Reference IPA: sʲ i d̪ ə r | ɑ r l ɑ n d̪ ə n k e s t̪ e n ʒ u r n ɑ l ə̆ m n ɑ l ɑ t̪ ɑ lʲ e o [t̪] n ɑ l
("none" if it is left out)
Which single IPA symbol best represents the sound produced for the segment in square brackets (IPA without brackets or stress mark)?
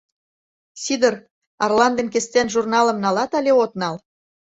t̪